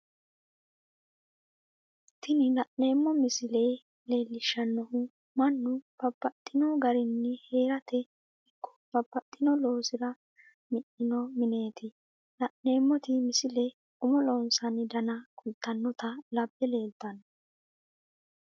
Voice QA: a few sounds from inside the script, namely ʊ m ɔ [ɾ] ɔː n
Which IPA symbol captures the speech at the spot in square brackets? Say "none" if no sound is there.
l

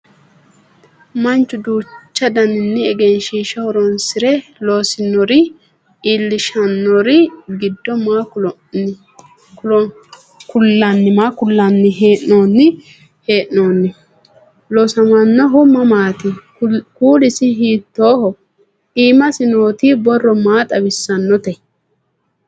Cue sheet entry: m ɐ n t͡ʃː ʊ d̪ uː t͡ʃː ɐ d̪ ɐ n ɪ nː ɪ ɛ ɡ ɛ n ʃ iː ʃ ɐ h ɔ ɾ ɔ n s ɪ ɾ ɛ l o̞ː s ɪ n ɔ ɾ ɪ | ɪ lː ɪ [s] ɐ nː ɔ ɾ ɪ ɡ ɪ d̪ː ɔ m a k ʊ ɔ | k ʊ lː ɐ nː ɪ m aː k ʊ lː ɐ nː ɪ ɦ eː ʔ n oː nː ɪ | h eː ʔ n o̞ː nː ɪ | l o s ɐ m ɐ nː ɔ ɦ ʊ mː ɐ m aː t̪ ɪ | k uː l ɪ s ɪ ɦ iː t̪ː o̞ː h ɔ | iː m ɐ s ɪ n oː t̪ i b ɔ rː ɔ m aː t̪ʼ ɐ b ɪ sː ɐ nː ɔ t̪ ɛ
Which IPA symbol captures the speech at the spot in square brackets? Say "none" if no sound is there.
ʃ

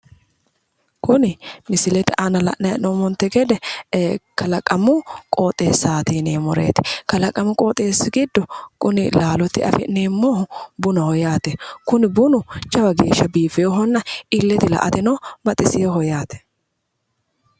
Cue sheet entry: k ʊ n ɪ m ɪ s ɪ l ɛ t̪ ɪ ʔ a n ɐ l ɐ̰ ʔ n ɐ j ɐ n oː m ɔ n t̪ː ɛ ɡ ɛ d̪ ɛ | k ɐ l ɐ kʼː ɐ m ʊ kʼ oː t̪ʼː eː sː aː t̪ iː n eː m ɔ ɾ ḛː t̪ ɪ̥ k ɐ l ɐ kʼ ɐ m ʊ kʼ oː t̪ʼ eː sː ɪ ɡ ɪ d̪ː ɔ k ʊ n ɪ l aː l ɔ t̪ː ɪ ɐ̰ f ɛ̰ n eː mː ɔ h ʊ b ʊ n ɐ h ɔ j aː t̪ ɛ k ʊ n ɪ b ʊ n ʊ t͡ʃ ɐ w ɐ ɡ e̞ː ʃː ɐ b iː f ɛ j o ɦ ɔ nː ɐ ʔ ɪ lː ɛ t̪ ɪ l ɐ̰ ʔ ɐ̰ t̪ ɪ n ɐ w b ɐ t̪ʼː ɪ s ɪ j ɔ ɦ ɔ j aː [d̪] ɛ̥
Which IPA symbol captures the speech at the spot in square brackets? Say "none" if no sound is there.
t̪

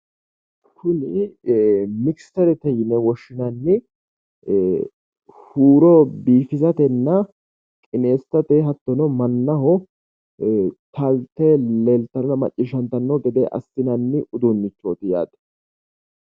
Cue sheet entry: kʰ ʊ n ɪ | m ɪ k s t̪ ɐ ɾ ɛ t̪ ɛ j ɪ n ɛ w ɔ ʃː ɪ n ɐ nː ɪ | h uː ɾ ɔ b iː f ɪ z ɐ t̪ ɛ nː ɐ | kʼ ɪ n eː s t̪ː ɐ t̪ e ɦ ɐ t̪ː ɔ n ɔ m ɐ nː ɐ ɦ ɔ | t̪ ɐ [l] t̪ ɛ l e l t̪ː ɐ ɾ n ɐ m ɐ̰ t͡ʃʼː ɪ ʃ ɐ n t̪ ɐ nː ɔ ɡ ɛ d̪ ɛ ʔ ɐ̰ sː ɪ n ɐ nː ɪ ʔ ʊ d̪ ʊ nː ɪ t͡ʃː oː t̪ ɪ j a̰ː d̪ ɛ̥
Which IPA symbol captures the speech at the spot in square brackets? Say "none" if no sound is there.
l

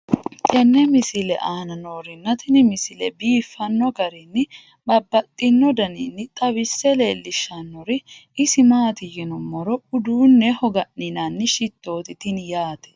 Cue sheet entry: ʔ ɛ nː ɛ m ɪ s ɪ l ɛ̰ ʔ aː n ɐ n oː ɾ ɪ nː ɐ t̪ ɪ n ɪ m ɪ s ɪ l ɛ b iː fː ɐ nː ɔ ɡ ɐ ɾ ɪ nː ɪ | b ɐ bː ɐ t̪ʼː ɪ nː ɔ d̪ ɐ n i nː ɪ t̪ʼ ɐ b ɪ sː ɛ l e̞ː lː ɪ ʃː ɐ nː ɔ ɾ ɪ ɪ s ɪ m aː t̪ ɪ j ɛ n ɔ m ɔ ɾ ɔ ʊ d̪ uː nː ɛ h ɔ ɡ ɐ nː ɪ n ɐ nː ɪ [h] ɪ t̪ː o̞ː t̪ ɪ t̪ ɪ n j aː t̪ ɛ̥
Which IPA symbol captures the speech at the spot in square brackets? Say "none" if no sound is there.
ʃ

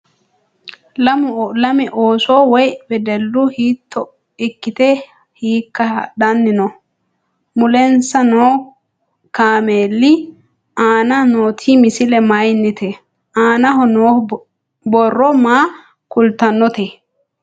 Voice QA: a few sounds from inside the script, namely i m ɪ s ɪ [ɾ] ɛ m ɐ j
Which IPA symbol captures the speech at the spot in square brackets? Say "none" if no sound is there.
l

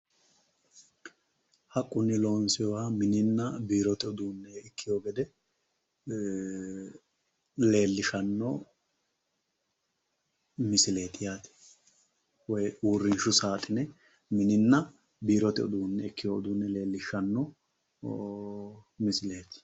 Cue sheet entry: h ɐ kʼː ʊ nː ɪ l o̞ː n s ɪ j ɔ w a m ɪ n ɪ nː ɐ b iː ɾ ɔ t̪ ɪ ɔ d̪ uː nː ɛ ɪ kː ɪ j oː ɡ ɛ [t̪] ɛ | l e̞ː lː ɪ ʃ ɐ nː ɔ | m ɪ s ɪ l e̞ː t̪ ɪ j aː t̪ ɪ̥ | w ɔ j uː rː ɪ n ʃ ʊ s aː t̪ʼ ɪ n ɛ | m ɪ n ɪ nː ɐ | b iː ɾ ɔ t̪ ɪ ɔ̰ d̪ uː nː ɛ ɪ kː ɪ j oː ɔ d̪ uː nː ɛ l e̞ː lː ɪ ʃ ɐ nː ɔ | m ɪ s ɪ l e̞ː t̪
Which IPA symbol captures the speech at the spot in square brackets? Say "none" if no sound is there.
d̪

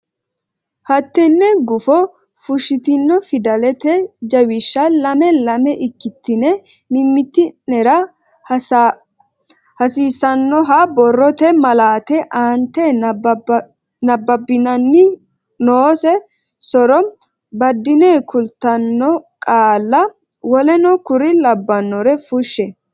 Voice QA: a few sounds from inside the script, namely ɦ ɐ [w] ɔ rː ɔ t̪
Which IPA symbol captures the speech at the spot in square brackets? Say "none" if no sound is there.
b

